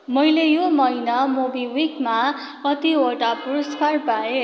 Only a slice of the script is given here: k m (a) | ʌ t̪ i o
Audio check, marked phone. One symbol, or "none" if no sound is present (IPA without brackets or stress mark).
a